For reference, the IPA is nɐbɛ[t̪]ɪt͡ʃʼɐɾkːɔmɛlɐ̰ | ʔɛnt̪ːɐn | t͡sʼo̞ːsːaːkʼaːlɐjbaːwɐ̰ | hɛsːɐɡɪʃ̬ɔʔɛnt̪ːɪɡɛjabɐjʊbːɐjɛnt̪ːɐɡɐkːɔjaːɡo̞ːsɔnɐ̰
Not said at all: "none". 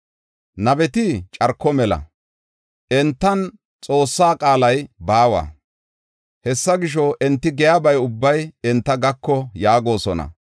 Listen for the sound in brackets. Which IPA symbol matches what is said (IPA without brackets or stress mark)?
t̪